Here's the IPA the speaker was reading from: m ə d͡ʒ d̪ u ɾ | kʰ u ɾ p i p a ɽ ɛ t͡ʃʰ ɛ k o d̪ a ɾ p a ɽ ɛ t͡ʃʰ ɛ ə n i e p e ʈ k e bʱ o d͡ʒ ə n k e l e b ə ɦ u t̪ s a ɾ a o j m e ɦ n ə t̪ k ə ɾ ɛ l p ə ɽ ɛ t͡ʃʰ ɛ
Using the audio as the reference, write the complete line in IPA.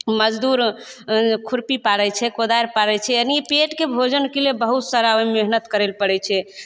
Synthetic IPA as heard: m ə d͡ʒ d̪ u ɾ | kʰ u ɾ p i p a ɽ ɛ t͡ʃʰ ɛ k o d̪ a ɾ p a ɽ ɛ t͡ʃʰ ɛ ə n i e p e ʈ k e bʱ o d͡ʒ ə n k e l e b ə ɦ u t̪ s a ɾ a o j m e ɦ n ə t̪ k ə ɾ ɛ l p ə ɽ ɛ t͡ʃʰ ɛ